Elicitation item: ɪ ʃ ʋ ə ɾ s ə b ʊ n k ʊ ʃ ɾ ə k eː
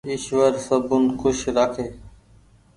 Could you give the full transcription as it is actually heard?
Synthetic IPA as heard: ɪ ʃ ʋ ə ɾ s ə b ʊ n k ʊ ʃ ɾ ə kʰ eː